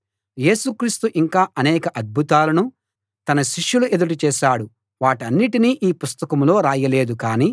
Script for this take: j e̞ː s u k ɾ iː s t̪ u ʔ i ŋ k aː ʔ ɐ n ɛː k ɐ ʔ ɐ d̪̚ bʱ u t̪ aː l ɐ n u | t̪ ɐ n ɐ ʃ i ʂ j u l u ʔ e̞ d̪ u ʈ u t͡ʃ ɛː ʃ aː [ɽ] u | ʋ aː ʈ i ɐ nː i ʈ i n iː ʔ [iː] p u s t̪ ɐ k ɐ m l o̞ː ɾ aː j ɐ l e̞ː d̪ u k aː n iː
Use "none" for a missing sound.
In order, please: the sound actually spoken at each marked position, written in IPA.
ɽ, iː

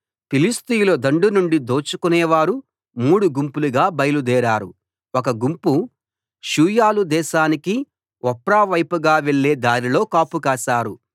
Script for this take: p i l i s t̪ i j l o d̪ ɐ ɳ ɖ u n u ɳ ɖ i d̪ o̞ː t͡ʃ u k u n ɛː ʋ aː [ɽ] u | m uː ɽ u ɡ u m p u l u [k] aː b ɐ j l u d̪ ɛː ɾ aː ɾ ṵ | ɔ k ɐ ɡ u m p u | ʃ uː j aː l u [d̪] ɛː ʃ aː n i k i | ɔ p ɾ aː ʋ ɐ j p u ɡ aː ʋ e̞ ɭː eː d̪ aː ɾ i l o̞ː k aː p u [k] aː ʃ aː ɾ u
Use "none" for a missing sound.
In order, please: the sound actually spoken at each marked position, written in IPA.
ɾ, ɡ, d̪, k

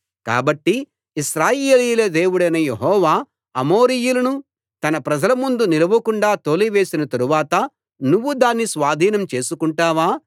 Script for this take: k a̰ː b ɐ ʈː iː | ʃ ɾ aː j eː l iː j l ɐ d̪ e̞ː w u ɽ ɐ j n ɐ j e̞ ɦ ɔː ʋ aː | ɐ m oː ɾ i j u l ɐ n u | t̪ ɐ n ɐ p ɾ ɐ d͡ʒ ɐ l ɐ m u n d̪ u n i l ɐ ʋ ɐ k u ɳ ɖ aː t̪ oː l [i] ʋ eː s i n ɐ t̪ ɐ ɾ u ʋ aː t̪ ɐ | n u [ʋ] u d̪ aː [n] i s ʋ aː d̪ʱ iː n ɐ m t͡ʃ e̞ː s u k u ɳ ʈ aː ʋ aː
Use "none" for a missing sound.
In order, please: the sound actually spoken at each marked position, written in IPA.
i, ʋː, nː

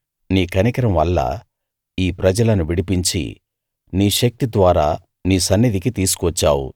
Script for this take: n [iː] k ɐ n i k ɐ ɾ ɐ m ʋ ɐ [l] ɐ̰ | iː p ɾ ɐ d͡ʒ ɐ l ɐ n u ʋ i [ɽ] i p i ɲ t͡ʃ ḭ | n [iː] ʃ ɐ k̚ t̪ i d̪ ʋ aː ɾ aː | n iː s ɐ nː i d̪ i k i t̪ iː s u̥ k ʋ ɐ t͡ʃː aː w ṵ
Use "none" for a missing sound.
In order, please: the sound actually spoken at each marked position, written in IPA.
iː, lː, ɽ, iː

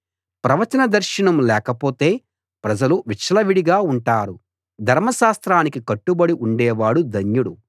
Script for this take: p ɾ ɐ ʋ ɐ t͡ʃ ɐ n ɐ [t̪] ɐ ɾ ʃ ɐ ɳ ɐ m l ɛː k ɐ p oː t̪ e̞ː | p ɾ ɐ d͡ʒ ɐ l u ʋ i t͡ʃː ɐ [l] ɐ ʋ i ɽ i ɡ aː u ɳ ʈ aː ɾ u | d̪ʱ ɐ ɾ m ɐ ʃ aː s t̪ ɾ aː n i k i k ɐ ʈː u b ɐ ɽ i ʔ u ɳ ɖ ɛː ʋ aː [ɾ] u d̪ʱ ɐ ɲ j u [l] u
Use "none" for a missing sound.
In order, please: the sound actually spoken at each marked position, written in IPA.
d̪, l, ɽ, ɽ

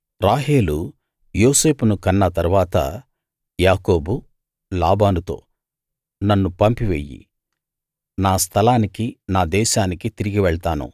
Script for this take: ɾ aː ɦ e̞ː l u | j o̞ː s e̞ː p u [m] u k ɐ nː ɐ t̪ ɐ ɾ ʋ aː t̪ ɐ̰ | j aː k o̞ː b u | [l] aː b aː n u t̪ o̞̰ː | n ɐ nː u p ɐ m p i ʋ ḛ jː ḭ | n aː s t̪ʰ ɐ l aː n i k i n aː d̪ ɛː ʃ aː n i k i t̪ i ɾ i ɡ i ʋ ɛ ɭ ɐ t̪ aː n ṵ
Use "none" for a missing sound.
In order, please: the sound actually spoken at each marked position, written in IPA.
n, l

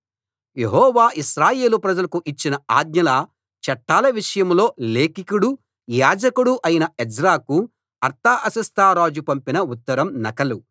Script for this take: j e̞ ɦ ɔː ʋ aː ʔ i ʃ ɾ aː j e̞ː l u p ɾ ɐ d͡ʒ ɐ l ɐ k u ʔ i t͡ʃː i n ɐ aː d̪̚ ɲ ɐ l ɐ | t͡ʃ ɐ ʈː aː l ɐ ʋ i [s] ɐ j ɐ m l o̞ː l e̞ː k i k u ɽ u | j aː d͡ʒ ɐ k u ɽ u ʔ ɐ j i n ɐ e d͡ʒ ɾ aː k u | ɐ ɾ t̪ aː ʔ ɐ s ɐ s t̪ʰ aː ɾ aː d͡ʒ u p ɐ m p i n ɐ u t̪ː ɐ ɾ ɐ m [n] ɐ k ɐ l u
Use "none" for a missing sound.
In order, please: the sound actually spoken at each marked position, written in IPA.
ʂ, n

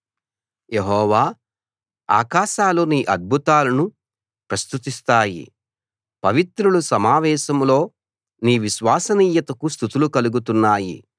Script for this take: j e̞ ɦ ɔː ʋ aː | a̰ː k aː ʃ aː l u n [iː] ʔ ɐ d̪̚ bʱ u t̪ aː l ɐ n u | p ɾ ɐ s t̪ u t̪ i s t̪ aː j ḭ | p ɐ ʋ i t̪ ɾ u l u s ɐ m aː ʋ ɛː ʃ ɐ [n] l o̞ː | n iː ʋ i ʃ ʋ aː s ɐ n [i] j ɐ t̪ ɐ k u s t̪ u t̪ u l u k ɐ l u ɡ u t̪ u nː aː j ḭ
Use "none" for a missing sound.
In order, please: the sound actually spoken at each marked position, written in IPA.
iː, m, iː

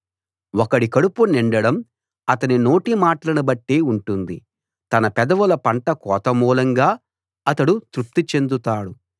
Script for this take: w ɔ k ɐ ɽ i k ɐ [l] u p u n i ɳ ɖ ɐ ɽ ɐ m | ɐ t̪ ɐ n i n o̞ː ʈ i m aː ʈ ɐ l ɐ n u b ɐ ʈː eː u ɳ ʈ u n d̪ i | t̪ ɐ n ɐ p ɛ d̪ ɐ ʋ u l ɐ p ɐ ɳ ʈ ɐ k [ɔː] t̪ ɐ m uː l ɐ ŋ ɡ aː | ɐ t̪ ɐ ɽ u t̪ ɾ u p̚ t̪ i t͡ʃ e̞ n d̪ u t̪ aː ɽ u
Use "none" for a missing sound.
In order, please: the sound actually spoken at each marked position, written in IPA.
ɽ, ɔː

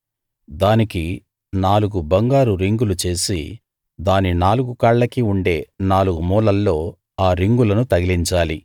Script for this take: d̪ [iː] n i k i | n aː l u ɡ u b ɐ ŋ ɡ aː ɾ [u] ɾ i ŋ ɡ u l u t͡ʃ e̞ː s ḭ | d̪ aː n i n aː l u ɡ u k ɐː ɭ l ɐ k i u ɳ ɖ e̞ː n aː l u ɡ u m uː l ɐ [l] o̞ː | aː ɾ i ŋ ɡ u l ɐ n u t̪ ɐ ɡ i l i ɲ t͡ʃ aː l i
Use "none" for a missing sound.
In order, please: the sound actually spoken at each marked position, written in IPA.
aː, u, lː

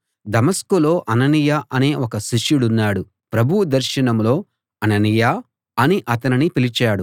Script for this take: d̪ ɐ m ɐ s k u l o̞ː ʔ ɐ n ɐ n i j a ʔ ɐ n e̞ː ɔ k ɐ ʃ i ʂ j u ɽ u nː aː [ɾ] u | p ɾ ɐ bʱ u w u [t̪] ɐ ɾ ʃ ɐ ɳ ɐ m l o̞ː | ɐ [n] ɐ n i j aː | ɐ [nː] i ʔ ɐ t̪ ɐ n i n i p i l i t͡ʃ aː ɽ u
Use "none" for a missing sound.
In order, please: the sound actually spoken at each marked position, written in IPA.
ɽ, d̪, n, n

